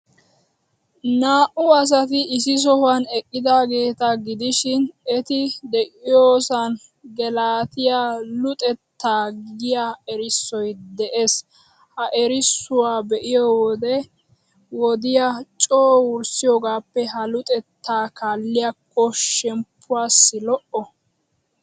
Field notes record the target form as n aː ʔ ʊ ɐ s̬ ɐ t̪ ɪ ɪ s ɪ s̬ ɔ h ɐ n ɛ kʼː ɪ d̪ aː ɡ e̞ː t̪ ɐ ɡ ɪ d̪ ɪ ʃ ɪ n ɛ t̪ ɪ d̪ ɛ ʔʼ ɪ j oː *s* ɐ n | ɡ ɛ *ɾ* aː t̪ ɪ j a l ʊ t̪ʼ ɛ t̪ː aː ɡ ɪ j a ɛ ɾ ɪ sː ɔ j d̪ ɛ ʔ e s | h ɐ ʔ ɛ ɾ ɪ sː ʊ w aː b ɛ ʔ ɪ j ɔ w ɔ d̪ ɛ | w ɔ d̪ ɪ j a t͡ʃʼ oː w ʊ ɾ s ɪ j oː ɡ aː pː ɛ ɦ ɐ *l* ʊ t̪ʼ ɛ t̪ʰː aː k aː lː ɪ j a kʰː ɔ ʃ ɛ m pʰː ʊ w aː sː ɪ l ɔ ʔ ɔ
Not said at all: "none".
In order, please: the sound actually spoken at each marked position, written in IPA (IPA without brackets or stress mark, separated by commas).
s, l, l